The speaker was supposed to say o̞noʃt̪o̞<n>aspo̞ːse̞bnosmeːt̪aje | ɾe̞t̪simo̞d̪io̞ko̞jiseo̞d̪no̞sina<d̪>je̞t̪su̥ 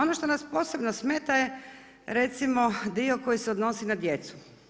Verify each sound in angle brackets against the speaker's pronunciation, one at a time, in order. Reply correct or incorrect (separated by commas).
correct, correct